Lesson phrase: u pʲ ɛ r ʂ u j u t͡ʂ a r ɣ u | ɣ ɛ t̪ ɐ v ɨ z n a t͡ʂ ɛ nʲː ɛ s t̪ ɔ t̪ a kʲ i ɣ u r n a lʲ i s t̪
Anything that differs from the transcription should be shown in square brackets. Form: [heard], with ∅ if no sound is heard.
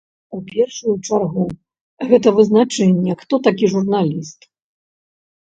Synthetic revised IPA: u pʲ ɛ r ʂ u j u t͡ʂ a r ɣ u | ɣ ɛ t̪ ɐ v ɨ z n a t͡ʂ ɛ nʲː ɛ [x] t̪ ɔ t̪ a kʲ i [ʐ] u r n a lʲ i s t̪